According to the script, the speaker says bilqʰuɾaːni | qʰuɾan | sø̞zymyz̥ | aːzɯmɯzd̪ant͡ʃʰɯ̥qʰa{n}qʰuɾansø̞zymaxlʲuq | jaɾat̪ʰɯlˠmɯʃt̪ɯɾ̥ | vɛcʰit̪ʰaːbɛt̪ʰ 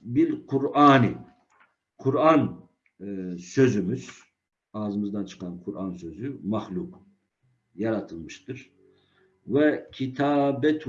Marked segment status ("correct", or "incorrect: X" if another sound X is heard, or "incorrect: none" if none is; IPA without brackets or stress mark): correct